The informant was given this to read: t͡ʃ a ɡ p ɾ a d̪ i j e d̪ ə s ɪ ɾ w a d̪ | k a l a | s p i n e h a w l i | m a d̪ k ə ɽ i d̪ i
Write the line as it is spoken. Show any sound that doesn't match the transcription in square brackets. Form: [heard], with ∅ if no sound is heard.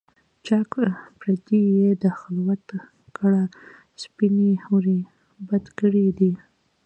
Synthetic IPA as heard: t͡ʃ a [k] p ɾ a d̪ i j e d̪ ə [x] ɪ [l] w a [t̪] | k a [ɽ] a | s p i n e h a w [ɾ] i | [b] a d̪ k ə ɽ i d̪ i